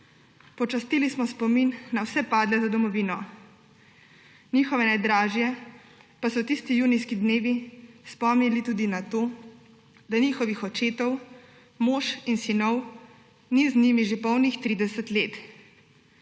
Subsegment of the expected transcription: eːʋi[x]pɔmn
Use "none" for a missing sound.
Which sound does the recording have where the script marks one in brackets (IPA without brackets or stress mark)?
s